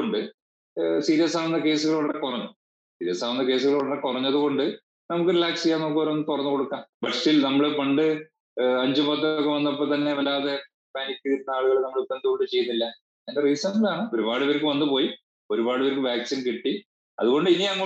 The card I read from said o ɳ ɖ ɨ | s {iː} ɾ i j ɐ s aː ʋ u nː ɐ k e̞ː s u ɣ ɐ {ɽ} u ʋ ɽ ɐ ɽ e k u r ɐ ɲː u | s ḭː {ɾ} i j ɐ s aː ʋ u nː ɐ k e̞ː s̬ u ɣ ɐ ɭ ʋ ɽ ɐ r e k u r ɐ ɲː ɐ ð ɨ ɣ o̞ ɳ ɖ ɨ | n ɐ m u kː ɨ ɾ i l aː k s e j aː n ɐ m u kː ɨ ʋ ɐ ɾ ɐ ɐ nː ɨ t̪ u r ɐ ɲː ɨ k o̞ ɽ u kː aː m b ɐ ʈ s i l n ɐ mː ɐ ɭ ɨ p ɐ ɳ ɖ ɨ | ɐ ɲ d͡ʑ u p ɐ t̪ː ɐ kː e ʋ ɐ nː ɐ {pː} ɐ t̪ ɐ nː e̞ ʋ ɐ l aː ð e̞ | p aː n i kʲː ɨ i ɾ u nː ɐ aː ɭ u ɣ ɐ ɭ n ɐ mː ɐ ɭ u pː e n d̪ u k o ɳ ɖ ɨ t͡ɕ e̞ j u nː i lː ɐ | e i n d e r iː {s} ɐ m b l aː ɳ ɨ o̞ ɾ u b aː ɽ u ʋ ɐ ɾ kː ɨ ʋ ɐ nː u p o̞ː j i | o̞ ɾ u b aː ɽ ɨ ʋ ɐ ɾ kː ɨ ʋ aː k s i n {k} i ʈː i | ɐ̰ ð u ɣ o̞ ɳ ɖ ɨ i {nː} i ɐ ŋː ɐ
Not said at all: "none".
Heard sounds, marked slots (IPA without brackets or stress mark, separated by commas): iː, ɭ, ɾ, pː, s, k, n